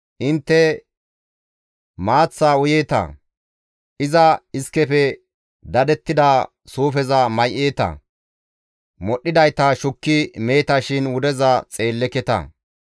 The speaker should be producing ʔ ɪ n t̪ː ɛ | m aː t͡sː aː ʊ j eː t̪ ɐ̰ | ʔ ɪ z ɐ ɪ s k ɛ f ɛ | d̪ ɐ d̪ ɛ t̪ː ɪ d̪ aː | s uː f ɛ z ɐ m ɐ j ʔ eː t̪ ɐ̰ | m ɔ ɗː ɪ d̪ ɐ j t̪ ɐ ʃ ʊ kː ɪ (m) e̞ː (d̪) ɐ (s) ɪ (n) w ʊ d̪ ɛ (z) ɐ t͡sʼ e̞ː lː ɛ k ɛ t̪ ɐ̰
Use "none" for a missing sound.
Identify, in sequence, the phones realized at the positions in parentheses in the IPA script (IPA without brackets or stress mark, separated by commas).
m, t̪, ʃ, n, z